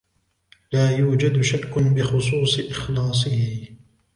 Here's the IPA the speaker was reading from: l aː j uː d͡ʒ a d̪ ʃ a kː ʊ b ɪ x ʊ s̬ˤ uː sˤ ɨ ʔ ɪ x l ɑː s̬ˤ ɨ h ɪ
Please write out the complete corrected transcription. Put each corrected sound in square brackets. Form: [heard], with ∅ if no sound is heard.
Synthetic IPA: l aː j uː d͡ʒ a d̪ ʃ a kː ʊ b ɪ x ʊ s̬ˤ uː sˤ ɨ ʔ ɪ x l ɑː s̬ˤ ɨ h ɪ